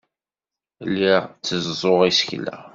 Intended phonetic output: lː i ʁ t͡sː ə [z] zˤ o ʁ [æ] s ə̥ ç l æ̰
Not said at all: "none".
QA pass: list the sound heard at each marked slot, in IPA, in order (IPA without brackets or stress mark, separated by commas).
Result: z, i